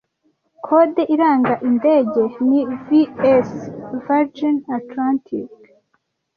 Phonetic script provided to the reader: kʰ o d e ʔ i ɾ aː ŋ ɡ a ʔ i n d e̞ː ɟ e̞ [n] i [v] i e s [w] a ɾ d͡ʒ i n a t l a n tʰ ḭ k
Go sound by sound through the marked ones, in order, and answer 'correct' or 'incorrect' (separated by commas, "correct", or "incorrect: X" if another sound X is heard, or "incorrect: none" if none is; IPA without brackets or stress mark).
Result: correct, correct, incorrect: v